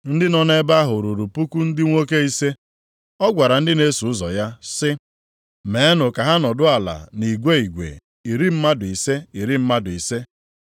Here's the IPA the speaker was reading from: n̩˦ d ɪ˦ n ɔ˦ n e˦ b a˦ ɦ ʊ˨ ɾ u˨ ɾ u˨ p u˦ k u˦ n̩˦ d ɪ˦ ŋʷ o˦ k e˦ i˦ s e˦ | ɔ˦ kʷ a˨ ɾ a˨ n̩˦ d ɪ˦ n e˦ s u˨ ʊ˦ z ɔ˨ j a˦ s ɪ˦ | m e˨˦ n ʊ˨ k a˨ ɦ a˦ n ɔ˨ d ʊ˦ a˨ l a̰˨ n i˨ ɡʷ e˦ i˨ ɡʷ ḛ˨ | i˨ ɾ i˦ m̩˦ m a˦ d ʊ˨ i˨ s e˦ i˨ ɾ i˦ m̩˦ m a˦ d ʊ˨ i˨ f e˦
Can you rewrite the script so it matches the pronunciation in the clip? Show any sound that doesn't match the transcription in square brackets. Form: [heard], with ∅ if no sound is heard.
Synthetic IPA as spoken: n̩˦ d ɪ˦ n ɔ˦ n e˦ b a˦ ɦ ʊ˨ ɾ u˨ ɾ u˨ p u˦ k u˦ n̩˦ d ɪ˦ ŋʷ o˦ k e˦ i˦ s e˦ | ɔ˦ [ɡʷ] a˨ ɾ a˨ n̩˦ d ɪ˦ n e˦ s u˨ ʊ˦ z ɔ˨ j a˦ s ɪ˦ | m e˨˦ n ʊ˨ k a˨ ɦ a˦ n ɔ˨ d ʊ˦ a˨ l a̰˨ n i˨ ɡʷ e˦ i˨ ɡʷ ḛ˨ | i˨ ɾ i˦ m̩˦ m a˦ d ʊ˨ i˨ s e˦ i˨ ɾ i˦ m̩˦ m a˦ d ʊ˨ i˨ [s] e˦